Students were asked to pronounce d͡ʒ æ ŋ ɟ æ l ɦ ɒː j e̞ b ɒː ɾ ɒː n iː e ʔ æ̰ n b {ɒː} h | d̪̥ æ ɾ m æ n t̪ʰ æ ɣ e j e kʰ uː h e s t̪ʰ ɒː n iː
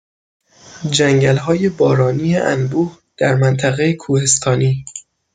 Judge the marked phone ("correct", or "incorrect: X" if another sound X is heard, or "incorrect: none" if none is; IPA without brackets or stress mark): incorrect: uː